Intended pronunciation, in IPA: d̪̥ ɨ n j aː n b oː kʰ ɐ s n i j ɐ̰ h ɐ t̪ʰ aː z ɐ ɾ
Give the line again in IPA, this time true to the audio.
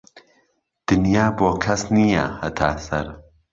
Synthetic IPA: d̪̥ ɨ n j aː b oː kʰ ɐ s n i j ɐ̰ h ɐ t̪ʰ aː s ɐ ɾ

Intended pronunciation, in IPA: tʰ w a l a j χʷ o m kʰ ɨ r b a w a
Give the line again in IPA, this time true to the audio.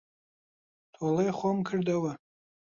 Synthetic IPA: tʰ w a l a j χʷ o m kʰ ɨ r d a w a

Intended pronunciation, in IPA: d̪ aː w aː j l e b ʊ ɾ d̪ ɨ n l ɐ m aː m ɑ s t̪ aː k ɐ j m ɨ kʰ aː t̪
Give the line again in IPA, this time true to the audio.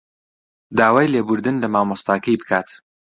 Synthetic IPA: d̪ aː w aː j l e b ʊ ɾ d̪ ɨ n l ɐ m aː m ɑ s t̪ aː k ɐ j b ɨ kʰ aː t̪

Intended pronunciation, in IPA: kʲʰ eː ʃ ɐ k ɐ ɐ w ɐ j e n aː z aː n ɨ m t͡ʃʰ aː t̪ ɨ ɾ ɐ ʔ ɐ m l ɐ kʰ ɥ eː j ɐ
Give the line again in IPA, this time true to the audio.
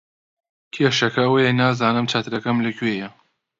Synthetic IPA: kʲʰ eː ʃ ɐ k ɐ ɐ w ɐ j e n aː z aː n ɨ m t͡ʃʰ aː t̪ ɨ ɾ ɐ k ɐ m l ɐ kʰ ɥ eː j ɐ

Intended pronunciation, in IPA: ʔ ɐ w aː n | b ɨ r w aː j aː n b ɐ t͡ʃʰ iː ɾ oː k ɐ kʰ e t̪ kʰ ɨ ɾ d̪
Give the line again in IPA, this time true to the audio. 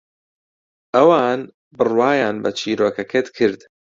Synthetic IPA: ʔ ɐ w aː n | b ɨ r w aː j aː n b ɐ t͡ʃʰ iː ɾ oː k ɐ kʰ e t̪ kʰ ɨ ɾ d̪

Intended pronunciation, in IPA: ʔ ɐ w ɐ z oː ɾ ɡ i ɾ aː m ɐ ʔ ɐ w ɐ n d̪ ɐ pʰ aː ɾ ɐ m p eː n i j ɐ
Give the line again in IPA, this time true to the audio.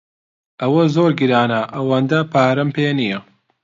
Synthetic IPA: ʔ ɐ w ɐ z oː ɾ ɡ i ɾ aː n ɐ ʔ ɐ w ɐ n d̪ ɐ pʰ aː ɾ ɐ m p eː n i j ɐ

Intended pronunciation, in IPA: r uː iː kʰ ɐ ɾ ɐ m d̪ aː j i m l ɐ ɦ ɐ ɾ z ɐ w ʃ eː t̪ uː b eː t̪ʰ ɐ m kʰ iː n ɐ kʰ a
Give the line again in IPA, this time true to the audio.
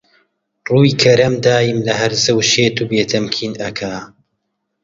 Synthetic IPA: r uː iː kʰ ɐ ɾ ɐ m d̪ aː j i m l ɐ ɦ ɐ ɾ z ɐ w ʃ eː t̪ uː b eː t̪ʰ ɐ m kʰ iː n ɐ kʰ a

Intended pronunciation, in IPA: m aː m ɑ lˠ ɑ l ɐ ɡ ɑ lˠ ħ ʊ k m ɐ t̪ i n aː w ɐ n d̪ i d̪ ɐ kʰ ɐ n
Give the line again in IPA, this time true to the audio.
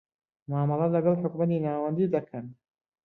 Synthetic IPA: m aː m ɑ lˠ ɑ l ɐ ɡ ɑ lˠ ħ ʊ k m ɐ t̪ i n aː w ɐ n d̪ i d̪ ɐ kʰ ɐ n

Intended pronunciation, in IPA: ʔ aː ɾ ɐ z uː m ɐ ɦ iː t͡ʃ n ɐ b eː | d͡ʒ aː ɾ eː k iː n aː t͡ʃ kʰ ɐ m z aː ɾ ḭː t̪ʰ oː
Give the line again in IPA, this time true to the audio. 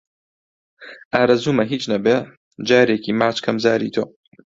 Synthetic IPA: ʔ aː ɾ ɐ z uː m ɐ ɦ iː t͡ʃ n ɐ b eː | d͡ʒ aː ɾ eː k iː m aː t͡ʃ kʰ ɐ m z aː ɾ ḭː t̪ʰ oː

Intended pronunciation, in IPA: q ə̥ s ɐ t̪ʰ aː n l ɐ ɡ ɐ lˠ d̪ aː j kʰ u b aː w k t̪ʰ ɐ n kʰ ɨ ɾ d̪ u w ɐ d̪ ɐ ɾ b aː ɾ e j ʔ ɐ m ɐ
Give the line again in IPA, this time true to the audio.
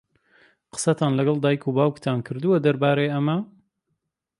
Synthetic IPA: q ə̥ s ɐ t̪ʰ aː n l ɐ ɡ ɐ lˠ d̪ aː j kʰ u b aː w k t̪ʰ a n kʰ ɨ ɾ d̪ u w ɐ d̪ ɐ ɾ b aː ɾ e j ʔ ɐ m ɐ

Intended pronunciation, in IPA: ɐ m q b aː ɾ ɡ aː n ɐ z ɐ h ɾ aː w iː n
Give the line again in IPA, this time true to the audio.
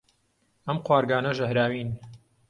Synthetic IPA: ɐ m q w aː ɾ ɡ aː n ɐ ʒ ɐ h ɾ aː w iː n

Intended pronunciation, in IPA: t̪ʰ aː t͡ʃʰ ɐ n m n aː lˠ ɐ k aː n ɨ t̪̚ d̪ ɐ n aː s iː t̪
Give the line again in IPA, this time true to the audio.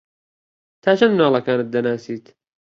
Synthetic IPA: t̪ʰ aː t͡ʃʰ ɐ n m n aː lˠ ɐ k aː n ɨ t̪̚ d̪ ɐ n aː s iː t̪

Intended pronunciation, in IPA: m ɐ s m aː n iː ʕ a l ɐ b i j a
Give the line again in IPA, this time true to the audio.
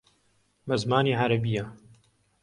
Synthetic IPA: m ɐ z m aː n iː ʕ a ɾ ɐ b i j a

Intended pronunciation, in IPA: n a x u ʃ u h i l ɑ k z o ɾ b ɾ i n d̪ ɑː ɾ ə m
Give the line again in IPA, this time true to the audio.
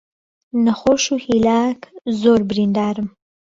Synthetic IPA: n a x o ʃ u h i l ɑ k z o ɾ b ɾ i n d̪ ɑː ɾ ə m

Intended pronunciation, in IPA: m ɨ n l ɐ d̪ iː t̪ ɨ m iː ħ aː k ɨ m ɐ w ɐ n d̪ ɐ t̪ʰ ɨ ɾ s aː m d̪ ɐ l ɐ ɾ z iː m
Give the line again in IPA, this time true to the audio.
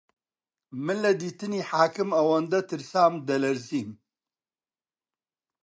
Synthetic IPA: m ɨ n l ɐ d̪ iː t̪ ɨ n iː ħ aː k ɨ m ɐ w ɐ n d̪ ɐ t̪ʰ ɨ ɾ s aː m d̪ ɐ l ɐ ɾ z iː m

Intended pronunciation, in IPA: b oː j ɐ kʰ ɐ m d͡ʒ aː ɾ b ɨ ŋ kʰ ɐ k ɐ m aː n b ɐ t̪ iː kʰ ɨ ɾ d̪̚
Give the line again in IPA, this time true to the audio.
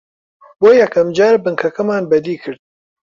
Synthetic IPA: b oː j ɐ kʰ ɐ m d͡ʒ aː ɾ b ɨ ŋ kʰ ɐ k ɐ m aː n b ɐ d̪ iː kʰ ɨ ɾ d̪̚

